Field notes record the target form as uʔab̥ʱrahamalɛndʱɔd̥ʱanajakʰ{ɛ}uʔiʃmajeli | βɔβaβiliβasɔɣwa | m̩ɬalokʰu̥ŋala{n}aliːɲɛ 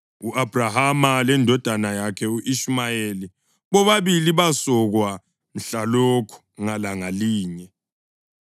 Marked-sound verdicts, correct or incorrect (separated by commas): correct, incorrect